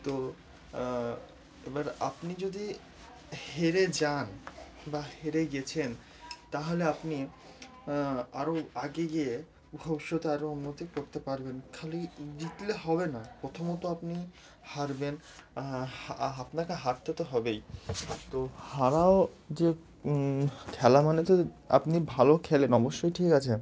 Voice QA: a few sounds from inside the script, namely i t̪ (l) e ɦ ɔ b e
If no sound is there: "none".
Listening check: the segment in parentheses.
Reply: l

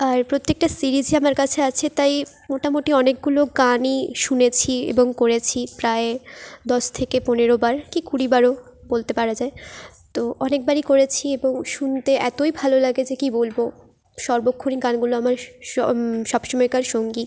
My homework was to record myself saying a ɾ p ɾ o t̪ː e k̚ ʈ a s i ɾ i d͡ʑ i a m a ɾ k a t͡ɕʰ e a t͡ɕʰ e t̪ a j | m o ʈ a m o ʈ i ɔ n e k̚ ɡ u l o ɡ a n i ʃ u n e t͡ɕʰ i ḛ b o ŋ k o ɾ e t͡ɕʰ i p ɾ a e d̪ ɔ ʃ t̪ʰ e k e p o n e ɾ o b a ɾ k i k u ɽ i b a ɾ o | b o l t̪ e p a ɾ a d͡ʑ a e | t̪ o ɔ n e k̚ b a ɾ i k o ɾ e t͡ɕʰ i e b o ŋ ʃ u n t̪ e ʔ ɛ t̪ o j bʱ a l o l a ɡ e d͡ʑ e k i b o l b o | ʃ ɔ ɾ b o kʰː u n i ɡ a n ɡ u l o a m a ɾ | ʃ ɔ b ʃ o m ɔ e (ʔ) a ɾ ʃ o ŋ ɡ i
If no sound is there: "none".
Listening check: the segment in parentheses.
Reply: k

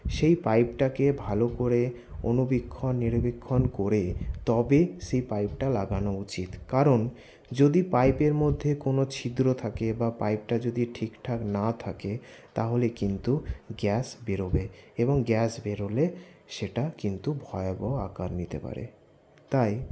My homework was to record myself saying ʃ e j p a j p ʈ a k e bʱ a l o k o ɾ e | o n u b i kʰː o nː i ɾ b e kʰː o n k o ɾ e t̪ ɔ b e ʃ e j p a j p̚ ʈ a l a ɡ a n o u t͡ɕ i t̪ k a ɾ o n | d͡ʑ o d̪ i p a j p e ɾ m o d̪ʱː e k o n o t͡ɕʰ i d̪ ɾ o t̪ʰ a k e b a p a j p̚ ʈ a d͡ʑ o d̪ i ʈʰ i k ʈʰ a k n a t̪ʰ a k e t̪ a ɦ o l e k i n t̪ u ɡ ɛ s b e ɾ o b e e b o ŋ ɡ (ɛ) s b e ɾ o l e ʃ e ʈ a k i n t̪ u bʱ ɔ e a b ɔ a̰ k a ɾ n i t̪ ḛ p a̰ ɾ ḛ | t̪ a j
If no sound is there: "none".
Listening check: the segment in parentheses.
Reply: ɛ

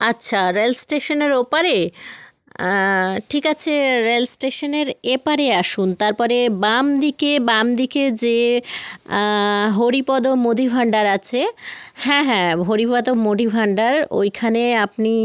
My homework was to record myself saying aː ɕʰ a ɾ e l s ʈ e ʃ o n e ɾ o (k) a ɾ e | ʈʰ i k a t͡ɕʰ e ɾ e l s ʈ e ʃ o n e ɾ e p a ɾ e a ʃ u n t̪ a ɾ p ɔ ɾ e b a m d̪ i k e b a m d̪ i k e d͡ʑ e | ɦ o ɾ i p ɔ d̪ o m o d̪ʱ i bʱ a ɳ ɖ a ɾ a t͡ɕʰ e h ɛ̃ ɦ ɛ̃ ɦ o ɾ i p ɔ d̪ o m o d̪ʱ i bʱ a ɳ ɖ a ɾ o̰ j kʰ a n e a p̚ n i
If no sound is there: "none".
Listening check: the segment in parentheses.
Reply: p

